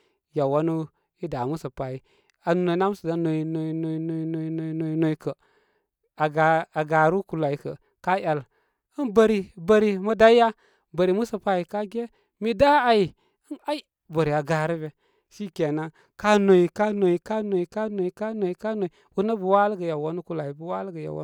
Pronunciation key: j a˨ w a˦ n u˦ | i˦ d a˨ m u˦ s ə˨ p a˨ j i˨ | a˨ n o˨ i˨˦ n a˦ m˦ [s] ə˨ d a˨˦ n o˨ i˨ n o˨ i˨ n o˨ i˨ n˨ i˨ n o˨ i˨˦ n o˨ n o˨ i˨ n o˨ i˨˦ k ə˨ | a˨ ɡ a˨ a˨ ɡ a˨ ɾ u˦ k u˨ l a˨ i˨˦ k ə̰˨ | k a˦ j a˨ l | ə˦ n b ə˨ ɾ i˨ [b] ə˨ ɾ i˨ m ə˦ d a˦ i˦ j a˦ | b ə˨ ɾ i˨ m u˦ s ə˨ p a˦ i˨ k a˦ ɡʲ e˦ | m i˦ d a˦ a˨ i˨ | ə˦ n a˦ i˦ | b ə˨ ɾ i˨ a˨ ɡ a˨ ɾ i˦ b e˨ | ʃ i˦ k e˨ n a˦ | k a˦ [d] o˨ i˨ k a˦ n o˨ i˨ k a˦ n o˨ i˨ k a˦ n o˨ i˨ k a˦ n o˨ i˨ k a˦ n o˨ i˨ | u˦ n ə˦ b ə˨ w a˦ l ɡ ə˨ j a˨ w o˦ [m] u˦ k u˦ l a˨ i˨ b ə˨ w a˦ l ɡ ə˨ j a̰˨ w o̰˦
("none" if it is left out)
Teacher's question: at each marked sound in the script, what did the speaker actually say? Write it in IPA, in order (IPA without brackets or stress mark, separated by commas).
s, b, n, n